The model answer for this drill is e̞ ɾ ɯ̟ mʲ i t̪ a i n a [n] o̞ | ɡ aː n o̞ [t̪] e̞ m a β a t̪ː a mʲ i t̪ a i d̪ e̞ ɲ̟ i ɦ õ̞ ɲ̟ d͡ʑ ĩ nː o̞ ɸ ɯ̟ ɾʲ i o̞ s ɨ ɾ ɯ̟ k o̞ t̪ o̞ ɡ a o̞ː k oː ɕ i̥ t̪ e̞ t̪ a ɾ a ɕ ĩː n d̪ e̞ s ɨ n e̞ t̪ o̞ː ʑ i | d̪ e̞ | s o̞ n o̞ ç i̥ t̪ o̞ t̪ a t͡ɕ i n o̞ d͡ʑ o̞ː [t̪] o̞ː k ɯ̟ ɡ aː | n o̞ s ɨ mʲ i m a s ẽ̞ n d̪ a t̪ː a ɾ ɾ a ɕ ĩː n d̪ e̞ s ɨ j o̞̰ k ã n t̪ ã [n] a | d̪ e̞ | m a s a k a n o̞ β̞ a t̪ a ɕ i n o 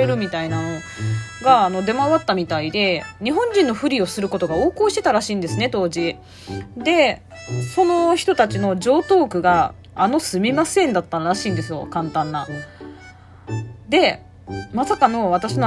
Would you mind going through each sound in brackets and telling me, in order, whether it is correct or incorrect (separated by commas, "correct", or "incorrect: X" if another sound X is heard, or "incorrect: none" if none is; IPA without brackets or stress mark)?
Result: correct, incorrect: d̪, correct, incorrect: nː